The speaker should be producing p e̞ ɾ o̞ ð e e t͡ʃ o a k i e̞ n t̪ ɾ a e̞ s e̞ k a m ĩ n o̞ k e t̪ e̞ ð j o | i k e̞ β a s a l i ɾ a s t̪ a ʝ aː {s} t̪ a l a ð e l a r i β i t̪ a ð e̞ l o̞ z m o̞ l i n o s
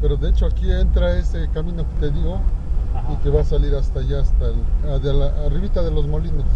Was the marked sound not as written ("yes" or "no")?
no